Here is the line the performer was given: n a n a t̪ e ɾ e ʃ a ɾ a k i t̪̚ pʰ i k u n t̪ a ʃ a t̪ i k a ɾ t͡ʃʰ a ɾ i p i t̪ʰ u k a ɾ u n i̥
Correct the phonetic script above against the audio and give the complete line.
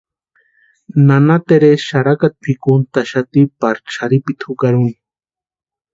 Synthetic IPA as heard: n a n a t̪ e ɾ e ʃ a ɾ a k a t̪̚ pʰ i k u n t̪ a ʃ a t̪ i p a ɾ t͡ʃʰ a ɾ i p i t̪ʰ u k a ɾ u n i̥